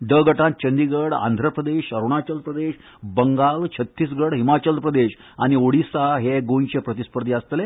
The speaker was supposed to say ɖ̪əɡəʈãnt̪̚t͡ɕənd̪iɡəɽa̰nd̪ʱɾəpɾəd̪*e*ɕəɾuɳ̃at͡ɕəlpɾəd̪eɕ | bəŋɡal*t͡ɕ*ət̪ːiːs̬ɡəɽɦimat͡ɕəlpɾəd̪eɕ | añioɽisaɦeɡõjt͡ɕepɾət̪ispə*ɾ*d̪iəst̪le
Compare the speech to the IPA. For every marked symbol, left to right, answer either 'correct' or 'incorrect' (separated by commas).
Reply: correct, incorrect, correct